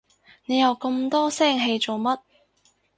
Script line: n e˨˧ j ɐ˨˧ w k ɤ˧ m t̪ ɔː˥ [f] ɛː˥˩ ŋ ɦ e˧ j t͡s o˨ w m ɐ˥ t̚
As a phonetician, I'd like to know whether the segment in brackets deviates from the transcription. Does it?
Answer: yes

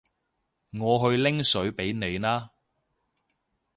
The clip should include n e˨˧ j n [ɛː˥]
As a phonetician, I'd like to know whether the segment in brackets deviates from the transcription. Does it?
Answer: yes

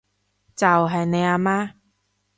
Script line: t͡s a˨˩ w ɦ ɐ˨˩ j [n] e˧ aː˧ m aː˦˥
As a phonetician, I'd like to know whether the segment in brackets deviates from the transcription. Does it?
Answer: no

